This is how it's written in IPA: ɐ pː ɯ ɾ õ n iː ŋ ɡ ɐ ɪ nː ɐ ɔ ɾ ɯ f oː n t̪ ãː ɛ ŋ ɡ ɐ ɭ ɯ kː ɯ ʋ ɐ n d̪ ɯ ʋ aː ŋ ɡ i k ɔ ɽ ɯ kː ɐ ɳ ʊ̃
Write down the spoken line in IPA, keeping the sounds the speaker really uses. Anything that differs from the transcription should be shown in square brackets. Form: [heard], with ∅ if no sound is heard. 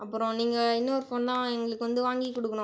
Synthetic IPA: ɐ pː ɯ ɾ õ n iː ŋ ɡ ɐ ɪ nː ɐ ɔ ɾ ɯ f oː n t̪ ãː ɛ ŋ ɡ ɐ ɭ ɯ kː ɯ ʋ ɐ n d̪ ɯ ʋ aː ŋ ɡ i k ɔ ɽ ɯ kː ɐ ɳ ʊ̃